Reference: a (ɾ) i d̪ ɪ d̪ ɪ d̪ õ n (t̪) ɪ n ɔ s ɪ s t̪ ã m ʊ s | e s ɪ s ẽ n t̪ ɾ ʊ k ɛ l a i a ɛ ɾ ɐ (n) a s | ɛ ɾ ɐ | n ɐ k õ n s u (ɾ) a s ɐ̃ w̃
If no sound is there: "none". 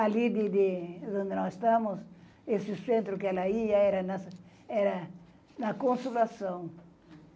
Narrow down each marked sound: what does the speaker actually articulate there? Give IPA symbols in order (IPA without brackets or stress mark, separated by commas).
l, d̪, n, l